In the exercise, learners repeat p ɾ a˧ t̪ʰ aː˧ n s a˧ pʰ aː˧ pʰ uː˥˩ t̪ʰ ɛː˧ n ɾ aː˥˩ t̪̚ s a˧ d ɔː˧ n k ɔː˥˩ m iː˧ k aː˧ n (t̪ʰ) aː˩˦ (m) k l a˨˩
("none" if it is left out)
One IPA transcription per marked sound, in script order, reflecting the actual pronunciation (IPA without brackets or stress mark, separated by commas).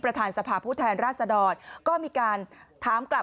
t̪ʰ, m